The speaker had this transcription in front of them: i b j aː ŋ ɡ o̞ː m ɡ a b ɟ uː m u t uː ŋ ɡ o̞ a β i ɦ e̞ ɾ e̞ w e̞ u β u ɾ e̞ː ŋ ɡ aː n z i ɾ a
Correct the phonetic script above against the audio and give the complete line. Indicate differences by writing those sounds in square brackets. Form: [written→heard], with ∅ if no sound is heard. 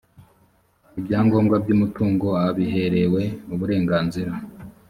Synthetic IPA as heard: i b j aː ŋ ɡ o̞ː m ɡ a b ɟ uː m u t uː ŋ ɡ o̞ a β i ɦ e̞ ɾ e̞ w e̞ u β u ɾ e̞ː ŋ ɡ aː n z i ɾ a